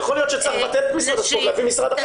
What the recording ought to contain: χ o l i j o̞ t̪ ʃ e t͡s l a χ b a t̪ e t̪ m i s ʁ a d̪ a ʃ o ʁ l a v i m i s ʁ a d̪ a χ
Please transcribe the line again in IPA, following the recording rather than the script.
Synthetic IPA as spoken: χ o l i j o̞ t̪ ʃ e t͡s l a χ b a t̪ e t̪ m i s ʁ a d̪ a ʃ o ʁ l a v i m i s ʁ a d̪ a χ